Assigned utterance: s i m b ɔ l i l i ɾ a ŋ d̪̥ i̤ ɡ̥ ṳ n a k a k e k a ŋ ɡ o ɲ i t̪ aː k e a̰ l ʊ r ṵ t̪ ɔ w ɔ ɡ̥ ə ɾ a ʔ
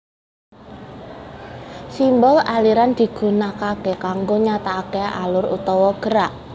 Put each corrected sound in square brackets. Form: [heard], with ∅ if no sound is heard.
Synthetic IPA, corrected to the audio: s i m b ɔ l [a] l i ɾ a [n] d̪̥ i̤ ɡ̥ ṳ n a k a k e k a ŋ ɡ o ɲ [a] t̪ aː k e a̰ l ʊ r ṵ t̪ ɔ w ɔ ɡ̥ ə ɾ a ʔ